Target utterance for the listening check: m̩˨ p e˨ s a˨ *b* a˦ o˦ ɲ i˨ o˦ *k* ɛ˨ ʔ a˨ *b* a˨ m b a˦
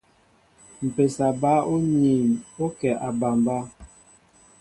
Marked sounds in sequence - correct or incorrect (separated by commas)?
correct, correct, correct